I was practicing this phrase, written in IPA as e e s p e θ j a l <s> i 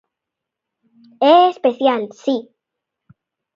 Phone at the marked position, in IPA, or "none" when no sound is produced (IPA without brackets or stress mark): s